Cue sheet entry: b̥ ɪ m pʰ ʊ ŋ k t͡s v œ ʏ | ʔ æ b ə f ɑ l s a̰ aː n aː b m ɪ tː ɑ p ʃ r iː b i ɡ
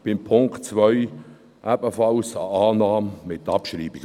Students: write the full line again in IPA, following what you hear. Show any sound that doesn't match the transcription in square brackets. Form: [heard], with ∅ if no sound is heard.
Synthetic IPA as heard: b̥ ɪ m pʰ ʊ ŋ k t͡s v œ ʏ | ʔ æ b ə f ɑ l s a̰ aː n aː [m] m ɪ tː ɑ p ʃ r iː b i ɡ